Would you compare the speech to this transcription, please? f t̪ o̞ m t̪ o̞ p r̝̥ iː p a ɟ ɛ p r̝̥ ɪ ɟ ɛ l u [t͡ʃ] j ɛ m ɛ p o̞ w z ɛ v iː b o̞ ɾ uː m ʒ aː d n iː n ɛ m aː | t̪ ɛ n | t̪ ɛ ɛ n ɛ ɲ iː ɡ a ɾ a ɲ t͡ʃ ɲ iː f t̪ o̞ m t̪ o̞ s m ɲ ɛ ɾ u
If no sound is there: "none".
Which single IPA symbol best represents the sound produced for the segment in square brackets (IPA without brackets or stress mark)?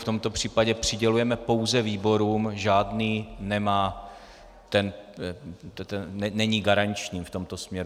none